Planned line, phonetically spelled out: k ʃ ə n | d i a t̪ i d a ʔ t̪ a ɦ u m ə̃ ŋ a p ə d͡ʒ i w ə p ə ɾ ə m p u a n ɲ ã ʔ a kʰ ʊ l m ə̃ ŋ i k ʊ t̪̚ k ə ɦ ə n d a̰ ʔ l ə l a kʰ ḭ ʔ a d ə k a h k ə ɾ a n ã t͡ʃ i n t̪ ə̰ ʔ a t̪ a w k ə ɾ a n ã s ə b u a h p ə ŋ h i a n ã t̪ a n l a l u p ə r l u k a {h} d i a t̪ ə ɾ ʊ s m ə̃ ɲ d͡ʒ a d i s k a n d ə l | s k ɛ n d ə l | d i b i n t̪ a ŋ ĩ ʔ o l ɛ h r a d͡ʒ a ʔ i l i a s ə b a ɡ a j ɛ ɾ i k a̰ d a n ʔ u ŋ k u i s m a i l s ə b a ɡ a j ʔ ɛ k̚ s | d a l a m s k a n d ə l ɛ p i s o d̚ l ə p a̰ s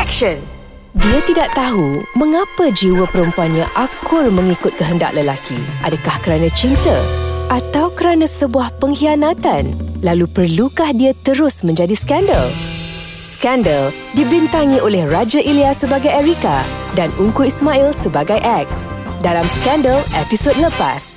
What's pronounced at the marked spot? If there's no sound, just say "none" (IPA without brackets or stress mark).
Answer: h